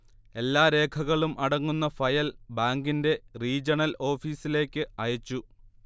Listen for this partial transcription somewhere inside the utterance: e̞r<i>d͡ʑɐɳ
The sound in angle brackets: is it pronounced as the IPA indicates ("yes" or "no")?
no